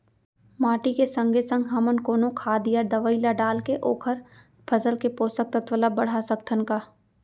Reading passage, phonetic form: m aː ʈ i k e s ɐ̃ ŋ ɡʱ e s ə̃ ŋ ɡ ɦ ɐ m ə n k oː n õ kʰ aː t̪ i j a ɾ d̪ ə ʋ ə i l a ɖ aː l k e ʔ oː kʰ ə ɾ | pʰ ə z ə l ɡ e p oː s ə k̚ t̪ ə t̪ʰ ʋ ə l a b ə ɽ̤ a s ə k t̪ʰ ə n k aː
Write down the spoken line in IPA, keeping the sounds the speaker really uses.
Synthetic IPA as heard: m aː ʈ i k e s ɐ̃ ŋ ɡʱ e s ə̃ ŋ ɡ ɦ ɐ m ə n k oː n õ kʰ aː d̪ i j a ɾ d̪ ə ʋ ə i l a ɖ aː l k e ʔ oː kʰ ə ɾ | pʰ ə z ə l k e p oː s ə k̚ t̪ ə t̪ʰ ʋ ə l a b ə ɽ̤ a s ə k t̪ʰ ə n k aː